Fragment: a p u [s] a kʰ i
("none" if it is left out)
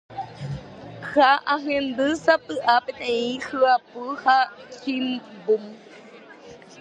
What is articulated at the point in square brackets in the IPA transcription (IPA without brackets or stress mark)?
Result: h